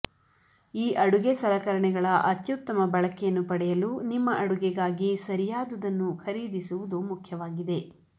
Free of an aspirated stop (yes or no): no